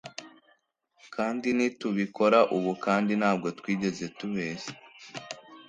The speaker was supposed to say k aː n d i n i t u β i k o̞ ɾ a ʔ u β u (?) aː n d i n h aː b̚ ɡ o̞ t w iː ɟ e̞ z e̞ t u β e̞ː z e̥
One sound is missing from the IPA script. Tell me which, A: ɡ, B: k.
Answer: B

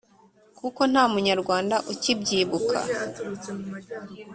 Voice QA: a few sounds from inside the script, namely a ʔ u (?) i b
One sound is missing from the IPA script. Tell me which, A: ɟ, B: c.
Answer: B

